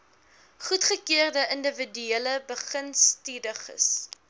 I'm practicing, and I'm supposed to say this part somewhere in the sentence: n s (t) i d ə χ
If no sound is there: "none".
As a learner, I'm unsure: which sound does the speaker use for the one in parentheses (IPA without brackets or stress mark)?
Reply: t